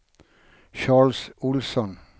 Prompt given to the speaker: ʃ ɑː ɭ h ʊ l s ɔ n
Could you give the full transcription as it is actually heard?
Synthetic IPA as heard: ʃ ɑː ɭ s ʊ l s ɔ n